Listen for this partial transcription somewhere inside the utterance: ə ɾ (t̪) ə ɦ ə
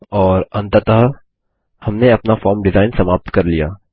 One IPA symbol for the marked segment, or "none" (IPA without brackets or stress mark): t̪